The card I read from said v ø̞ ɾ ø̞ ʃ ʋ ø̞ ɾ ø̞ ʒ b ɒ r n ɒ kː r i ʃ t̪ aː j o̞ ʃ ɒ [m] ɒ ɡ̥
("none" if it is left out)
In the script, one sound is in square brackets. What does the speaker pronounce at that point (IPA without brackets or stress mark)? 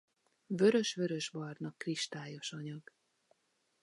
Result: ɲ